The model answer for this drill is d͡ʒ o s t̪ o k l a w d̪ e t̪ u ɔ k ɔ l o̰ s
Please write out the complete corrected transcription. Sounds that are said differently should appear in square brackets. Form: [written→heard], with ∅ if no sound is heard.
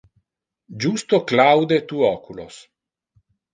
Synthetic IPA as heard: d͡ʒ [o→u] s t̪ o k l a w d̪ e t̪ u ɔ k [ɔ→u] l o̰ s